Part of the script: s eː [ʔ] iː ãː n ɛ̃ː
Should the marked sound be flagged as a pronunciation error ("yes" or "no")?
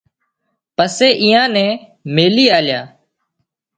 no